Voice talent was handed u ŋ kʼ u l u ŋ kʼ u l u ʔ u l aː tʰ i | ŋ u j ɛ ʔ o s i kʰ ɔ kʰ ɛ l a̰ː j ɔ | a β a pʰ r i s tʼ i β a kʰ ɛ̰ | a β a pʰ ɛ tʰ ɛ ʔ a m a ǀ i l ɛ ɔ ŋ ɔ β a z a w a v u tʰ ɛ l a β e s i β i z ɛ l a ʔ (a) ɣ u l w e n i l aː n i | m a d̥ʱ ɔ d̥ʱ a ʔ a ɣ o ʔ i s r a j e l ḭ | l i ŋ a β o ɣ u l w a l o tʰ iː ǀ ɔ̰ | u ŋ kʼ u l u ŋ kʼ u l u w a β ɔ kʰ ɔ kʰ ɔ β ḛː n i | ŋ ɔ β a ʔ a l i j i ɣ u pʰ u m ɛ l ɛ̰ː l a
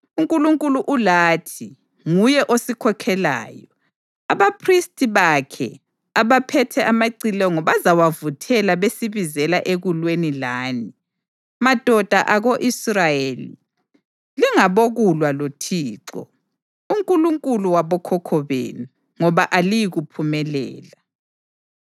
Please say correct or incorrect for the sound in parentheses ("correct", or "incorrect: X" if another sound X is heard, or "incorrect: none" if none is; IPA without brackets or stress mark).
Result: incorrect: e